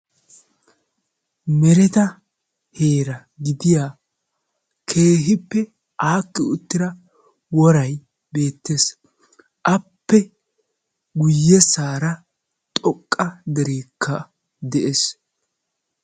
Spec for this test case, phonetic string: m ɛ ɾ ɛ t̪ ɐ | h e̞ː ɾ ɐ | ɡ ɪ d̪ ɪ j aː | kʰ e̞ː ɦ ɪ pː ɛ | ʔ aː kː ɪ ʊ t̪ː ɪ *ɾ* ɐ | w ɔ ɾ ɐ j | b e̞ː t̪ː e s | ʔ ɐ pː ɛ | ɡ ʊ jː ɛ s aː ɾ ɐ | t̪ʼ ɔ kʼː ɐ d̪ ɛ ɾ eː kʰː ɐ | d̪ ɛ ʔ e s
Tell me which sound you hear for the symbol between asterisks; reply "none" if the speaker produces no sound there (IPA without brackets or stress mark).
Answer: ɾ